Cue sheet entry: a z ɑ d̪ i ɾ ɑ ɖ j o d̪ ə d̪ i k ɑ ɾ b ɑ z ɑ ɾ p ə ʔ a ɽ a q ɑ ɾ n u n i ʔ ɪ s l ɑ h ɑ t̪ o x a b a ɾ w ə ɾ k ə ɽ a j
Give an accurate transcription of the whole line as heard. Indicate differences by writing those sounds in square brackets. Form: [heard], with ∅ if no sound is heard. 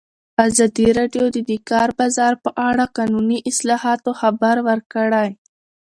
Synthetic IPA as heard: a z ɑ d̪ i ɾ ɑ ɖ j o d̪ ə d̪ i k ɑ ɾ b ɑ z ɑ ɾ p ə ʔ a ɽ a q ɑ [∅] n u n i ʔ ɪ s l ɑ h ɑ t̪ o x a b a ɾ w ə ɾ k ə ɽ a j